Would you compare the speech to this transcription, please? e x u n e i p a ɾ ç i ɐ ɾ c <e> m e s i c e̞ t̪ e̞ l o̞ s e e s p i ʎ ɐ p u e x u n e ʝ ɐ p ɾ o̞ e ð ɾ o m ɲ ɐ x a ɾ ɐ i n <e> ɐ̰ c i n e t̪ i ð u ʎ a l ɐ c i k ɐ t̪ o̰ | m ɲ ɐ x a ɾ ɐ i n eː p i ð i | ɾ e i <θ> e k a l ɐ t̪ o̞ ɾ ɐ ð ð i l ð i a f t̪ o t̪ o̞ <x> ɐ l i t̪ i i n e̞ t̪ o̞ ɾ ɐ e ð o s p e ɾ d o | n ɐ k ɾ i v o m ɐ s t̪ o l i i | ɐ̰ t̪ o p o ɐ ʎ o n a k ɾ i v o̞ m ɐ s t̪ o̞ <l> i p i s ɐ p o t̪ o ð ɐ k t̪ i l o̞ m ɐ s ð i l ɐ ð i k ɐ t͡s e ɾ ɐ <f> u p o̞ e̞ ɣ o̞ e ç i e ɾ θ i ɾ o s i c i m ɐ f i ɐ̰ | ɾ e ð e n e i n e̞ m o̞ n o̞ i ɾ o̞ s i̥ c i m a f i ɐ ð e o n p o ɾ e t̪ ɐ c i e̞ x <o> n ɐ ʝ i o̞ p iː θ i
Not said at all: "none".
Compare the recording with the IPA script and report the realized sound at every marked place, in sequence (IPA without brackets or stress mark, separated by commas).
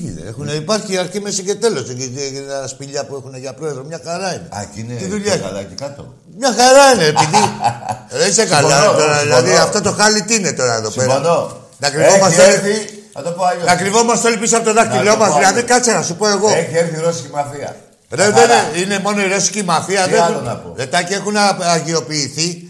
i, e, s, x, l, s, u